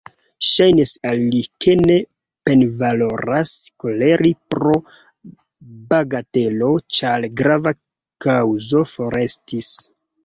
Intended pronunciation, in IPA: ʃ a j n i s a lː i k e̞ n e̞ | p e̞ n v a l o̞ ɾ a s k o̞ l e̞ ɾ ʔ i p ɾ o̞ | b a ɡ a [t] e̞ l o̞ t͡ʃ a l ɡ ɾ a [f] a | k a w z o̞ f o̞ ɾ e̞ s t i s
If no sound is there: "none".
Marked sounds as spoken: t, v

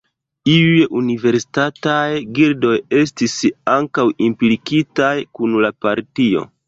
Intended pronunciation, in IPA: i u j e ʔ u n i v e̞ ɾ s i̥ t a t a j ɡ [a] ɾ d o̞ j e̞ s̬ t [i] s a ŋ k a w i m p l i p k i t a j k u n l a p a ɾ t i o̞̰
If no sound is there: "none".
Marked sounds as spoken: i, i

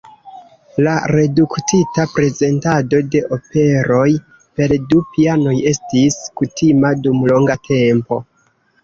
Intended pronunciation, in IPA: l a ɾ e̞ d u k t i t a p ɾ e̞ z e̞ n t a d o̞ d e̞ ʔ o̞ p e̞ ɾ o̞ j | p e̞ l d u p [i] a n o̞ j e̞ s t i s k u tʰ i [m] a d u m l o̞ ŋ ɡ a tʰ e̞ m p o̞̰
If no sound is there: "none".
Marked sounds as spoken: i, m

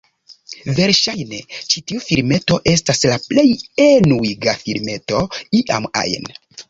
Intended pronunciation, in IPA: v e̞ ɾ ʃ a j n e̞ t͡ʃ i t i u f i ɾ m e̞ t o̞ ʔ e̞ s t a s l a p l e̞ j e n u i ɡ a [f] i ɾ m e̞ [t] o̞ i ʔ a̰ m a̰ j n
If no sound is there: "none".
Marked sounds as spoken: f, t

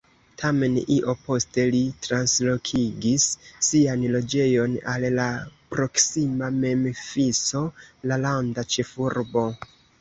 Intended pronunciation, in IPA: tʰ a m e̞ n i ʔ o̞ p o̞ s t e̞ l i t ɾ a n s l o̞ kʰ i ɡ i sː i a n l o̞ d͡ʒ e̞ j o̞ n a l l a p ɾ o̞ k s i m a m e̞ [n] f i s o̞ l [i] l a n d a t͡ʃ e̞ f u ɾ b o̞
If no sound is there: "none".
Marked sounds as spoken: m, a

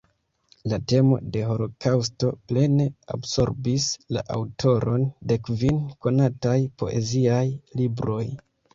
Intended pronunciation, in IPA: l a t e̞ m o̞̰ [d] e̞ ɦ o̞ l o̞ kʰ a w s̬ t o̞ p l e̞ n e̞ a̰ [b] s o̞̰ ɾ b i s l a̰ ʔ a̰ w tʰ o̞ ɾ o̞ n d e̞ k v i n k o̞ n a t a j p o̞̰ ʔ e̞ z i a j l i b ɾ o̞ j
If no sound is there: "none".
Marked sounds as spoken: d, b

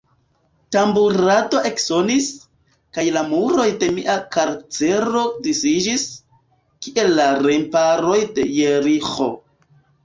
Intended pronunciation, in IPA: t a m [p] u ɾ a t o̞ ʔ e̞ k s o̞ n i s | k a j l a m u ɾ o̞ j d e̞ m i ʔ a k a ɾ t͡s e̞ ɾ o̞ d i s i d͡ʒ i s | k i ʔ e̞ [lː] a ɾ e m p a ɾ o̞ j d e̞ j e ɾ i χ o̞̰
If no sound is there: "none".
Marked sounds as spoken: b, lː

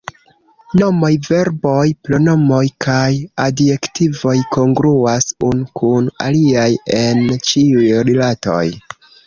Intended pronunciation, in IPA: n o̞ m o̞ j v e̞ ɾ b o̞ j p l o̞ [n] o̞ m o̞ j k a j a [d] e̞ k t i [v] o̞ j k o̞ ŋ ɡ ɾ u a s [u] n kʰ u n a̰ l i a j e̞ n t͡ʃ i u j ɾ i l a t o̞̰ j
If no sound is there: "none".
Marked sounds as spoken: n, d, v, u

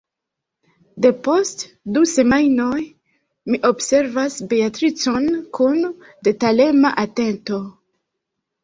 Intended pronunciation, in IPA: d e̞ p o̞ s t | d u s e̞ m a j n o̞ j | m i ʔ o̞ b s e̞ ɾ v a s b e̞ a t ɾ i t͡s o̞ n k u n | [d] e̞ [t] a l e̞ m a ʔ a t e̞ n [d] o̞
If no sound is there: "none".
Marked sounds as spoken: d, t, t

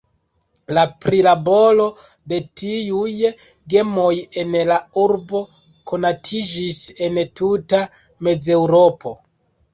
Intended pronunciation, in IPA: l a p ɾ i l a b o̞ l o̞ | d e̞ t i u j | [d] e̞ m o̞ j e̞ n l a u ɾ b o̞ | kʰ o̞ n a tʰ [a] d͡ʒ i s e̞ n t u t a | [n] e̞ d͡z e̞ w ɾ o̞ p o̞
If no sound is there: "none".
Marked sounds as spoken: ɡ, i, m

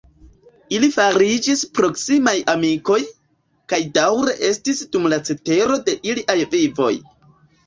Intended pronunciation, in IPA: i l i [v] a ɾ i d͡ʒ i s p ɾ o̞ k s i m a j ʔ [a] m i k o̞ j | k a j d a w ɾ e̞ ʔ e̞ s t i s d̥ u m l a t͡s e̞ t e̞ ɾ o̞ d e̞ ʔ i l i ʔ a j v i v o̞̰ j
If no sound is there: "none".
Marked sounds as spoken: f, a

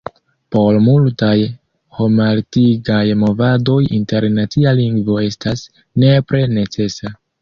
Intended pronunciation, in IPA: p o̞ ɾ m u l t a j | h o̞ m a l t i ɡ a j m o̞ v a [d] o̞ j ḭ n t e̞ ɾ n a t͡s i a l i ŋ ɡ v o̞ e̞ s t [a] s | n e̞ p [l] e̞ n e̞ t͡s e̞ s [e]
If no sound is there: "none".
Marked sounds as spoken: d, a, ɾ, a

